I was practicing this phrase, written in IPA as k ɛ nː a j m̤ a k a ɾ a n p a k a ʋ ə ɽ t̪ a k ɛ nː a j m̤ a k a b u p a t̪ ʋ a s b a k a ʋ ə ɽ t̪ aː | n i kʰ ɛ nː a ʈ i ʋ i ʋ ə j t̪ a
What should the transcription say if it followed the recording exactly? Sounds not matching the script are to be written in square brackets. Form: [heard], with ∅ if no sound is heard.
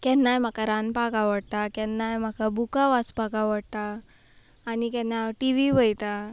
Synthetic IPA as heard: k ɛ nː a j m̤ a k a ɾ a n p a k a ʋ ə ɽ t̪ a k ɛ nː a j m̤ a k a b u [k] a [∅] ʋ a s [p] a k a ʋ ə ɽ t̪ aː | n i [k] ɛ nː a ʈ i ʋ i ʋ ə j t̪ a